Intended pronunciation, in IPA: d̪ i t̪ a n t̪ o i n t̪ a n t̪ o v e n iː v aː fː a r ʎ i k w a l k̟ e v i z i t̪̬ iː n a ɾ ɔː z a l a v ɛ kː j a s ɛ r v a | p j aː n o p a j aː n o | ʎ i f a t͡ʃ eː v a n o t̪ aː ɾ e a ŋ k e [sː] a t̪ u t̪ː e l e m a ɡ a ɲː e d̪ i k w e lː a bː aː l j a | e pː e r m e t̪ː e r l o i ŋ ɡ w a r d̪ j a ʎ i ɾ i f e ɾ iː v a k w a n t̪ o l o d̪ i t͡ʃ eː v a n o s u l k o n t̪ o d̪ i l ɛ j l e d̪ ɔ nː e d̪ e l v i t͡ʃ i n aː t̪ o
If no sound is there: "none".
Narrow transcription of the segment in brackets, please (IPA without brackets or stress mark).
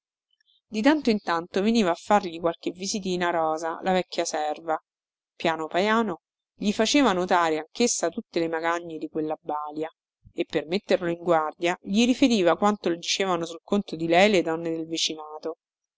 sː